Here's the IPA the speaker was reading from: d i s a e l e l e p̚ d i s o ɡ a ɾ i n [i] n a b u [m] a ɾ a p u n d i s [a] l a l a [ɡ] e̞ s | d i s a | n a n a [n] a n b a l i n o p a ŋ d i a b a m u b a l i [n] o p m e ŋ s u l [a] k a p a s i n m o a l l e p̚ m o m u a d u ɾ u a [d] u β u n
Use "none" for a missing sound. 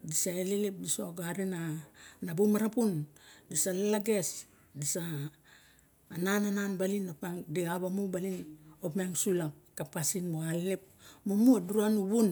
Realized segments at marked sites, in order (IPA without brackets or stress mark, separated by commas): a, m, a, ɡ, n, n, a, n